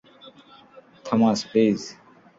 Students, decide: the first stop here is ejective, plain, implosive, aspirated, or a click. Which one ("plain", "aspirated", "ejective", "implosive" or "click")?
aspirated